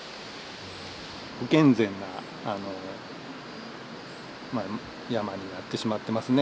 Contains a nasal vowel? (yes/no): yes